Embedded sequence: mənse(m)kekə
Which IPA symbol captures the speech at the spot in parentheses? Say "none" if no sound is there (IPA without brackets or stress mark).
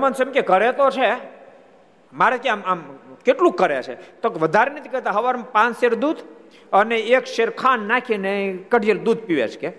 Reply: m